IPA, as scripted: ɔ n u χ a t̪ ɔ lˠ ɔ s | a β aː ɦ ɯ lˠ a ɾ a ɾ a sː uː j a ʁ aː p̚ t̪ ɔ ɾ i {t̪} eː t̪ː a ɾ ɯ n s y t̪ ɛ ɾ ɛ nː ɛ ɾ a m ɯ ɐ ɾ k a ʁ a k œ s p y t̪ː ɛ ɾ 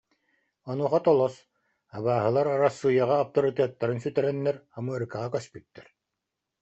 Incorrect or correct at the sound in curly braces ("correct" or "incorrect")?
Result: correct